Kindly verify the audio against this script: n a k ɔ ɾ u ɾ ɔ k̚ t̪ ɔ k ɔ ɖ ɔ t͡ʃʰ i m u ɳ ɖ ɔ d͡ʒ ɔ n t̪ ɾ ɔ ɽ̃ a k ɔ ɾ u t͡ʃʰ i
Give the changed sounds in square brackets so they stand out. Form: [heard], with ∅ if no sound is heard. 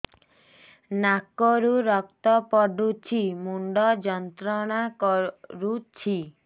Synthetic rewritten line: n a k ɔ ɾ u ɾ ɔ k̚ t̪ ɔ [p] ɔ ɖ [u] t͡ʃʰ i m u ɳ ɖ ɔ d͡ʒ ɔ n t̪ ɾ ɔ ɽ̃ a k ɔ ɾ u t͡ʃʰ i